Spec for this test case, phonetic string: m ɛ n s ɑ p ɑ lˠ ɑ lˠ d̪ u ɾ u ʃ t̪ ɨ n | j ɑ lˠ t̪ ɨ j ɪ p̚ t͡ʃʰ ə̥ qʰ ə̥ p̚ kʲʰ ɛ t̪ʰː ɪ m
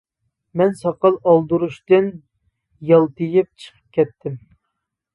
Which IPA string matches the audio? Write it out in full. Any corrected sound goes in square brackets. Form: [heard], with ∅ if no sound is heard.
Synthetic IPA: m ɛ n s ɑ [q] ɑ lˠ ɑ lˠ d̪ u ɾ u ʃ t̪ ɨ n | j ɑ lˠ t̪ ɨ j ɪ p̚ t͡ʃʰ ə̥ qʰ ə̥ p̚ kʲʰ ɛ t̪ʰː ɪ m

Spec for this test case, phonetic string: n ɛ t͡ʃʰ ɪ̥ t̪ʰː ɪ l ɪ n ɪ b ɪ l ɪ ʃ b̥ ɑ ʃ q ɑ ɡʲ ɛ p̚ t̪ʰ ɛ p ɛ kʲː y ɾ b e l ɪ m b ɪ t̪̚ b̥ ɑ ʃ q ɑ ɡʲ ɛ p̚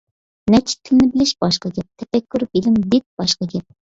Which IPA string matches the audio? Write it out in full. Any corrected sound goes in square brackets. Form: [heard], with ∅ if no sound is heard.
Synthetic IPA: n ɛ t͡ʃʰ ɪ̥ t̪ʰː ɪ l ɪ n ɪ b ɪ l ɪ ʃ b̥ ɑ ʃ q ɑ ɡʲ ɛ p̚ t̪ʰ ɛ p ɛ kʲː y ɾ b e l ɪ m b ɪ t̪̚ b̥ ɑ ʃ q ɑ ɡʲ ɛ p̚

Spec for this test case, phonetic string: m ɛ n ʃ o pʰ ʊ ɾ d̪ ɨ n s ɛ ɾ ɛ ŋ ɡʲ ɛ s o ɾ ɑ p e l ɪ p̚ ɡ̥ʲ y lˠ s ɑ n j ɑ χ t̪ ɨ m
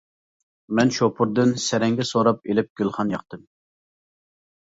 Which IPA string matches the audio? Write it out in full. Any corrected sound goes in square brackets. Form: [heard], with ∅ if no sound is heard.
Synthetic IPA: m ɛ n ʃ o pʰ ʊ ɾ d̪ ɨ n s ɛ ɾ ɛ ŋ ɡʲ ɛ s o ɾ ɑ p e l ɪ p̚ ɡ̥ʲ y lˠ [χ] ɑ n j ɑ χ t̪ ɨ m

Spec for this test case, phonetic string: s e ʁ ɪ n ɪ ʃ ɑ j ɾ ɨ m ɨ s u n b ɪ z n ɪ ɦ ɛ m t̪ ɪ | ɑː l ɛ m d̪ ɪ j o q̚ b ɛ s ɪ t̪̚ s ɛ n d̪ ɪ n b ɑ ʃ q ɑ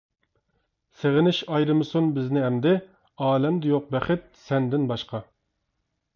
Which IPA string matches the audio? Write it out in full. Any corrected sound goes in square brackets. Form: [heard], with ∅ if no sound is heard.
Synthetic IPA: s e ʁ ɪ n ɪ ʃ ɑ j ɾ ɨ m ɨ s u n b ɪ z n ɪ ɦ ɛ m [d̪] ɪ | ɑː l ɛ m d̪ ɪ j o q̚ b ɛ [χ] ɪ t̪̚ s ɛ n d̪ ɪ n b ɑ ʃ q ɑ

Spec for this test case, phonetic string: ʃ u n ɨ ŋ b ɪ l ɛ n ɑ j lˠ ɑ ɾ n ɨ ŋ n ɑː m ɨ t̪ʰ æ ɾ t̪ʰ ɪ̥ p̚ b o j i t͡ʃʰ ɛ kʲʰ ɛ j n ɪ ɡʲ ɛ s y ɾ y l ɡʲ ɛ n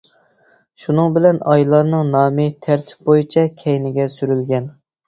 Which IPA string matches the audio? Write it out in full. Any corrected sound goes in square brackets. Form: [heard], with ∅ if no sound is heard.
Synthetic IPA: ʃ u n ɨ ŋ b ɪ l ɛ n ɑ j lˠ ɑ ɾ n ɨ ŋ n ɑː m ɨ t̪ʰ æ ɾ t̪ʰ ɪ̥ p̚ b o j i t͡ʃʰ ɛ kʲʰ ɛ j n ɪ ɡʲ ɛ s y ɾ y l ɡʲ ɛ n

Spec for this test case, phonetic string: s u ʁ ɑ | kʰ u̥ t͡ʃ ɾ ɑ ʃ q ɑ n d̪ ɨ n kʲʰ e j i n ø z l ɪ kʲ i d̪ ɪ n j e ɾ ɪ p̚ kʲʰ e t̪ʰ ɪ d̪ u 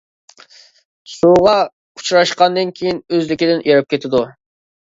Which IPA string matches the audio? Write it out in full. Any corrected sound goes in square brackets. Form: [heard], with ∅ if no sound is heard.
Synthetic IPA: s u ʁ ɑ | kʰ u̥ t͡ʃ ɾ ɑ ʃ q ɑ n d̪ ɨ n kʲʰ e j i n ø z l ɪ kʲ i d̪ ɪ n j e ɾ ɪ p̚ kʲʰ e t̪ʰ ɪ d̪ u

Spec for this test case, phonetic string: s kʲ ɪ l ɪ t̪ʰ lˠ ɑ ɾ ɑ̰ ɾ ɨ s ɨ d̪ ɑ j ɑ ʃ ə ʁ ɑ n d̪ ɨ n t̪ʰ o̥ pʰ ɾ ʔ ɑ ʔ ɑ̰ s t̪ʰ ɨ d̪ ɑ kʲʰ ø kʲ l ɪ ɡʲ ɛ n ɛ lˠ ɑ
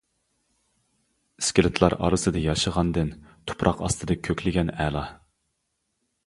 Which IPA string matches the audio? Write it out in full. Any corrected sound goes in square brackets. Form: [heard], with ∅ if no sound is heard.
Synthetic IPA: s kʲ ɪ l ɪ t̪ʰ lˠ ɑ ɾ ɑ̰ ɾ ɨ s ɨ d̪ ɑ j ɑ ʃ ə ʁ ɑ n d̪ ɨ n t̪ʰ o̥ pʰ ɾ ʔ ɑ [q] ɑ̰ s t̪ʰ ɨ d̪ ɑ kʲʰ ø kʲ l ɪ ɡʲ ɛ n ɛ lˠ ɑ

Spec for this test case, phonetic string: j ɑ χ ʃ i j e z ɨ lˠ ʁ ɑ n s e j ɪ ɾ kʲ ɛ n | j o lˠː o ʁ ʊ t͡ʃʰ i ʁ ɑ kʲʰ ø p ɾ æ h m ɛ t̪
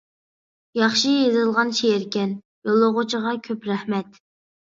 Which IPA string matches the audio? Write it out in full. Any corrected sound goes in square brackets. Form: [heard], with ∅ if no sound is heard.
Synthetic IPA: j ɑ χ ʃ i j e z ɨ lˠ ʁ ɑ n [ʃ] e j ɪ ɾ kʲ ɛ n | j o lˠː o ʁ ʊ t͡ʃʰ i ʁ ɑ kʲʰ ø p ɾ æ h m ɛ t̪

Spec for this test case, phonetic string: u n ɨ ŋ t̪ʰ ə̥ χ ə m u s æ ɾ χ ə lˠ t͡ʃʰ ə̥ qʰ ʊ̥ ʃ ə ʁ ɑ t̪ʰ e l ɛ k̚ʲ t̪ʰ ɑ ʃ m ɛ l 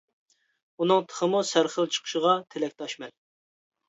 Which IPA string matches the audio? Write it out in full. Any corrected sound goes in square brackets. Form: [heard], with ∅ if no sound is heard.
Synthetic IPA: u n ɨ ŋ t̪ʰ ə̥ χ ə m u s æ ɾ χ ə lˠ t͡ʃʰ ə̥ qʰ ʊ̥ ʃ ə ʁ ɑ t̪ʰ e l ɛ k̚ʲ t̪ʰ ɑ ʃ m ɛ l

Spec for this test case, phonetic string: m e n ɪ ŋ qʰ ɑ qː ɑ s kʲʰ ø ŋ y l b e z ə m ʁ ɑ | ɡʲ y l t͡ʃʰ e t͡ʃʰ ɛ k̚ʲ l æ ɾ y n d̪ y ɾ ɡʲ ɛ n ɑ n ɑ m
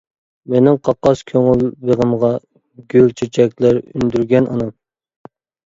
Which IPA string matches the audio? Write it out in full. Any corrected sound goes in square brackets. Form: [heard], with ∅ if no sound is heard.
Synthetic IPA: m e n ɪ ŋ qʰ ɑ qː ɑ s kʲʰ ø ŋ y l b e [ʁ] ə m ʁ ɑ | ɡʲ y l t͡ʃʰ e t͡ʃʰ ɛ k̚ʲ l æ ɾ y n d̪ y ɾ ɡʲ ɛ n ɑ n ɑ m

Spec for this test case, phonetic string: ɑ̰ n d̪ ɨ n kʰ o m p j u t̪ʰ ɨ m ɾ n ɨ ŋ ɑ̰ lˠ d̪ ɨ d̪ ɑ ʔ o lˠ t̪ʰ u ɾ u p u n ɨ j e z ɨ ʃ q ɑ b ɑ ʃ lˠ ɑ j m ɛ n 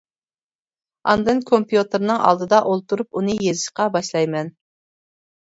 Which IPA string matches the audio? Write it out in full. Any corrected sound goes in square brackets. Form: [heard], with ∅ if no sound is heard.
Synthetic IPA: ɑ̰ n d̪ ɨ n kʰ o m p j u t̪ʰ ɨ [∅] ɾ n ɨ ŋ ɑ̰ lˠ d̪ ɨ d̪ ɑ ʔ o lˠ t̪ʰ u ɾ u p u n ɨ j e z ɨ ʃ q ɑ b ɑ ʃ lˠ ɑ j m ɛ n

